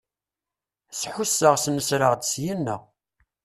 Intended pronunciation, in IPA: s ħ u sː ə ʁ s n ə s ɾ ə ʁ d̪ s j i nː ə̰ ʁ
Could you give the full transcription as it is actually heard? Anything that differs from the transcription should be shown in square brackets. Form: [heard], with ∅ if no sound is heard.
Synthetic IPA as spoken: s ħ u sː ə ʁ s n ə s ɾ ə ʁ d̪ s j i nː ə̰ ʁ